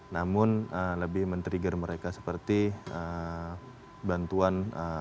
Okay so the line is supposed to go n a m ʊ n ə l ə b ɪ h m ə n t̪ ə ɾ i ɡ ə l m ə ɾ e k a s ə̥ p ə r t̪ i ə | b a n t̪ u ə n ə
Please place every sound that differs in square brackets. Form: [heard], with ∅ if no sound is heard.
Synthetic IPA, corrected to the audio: n a m ʊ n ə l ə b ɪ h m ə n t̪ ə ɾ i ɡ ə [r] m ə ɾ e k a s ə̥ p ə r t̪ i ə | b a n t̪ u [a] n ə

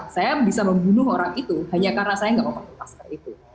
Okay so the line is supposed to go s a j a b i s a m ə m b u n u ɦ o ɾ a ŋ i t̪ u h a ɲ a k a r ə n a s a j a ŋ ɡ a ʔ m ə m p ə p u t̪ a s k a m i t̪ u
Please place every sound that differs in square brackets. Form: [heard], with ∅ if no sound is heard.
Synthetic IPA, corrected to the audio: s a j a b i s a m ə m b u n [ʊ] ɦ o ɾ a ŋ i t̪ u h a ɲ a k a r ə n a s a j a ŋ ɡ a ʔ m ə m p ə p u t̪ a s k a [∅] i t̪ u

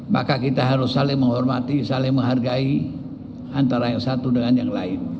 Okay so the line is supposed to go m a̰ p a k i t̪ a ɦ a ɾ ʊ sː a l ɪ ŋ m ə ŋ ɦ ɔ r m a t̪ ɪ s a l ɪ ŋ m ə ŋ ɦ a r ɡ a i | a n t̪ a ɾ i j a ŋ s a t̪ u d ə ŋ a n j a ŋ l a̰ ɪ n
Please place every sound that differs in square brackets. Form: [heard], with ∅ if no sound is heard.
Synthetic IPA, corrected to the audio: m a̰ [k] a k i t̪ a ɦ a ɾ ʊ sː a l ɪ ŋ m ə ŋ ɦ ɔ r m a t̪ [i] s a l ɪ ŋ m ə ŋ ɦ a r ɡ a i | a n t̪ a ɾ [a] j a ŋ s a t̪ u d ə ŋ a n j a ŋ l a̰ ɪ n

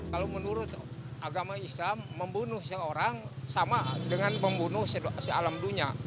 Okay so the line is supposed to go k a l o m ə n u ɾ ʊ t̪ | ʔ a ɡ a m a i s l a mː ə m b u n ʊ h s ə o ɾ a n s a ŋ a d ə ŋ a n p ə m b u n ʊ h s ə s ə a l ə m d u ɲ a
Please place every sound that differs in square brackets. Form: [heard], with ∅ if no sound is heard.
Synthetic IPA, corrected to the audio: k a l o m ə n u ɾ ʊ t̪ | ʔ a ɡ a m a i s l a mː ə m b u n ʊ h s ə o ɾ a [ŋ] s a [m] a d ə ŋ a n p ə m b u n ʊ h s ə s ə a l [a] m d u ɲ a

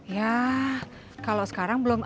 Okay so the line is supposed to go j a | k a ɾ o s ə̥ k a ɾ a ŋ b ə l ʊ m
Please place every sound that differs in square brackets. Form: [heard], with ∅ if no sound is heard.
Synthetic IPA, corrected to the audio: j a | k a [l] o s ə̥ k a ɾ a ŋ b ə l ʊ m

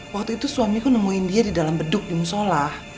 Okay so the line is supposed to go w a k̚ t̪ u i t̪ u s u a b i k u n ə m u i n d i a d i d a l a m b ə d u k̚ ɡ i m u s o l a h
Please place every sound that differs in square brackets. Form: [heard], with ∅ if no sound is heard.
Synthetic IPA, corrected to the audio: w a k̚ t̪ u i t̪ u s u a [m] i k u n ə m u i n d i a d i d a l a m b ə d [ʊ] k̚ [d] i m u s o l a h

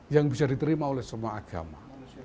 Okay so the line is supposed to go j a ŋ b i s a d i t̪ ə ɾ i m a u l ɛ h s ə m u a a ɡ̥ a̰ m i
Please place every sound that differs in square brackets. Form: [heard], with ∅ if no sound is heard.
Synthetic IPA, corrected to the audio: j a ŋ b i s a d i t̪ ə ɾ i m a [o] l ɛ h s ə m u a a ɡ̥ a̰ m [a]

